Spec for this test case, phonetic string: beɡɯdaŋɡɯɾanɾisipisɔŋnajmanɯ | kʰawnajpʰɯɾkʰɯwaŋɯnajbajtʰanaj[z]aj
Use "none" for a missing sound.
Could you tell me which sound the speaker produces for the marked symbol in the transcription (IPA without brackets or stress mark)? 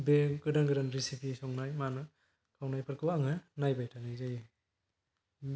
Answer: z